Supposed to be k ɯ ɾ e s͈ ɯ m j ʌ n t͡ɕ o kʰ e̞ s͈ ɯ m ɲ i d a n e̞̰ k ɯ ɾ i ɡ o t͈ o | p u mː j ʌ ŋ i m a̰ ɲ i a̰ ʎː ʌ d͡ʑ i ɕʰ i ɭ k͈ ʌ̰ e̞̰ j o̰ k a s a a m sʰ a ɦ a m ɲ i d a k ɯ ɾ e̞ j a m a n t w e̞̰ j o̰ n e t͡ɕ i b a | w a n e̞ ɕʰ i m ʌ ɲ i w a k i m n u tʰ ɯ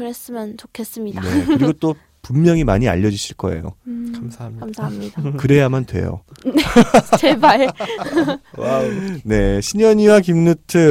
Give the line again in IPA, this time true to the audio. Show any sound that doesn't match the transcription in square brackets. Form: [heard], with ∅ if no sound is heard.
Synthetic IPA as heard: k ɯ ɾ e s͈ ɯ m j ʌ n t͡ɕ o kʰ e̞ s͈ ɯ m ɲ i d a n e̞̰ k ɯ ɾ i ɡ o t͈ o | p u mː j ʌ ŋ i m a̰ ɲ i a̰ ʎː ʌ d͡ʑ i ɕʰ i ɭ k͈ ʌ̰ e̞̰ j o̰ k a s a a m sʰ a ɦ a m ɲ i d a k ɯ ɾ e̞ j a m a n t w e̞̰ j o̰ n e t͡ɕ [e] b a | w a n e̞ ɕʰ i [ɲ] ʌ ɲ i w a k i m n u tʰ ɯ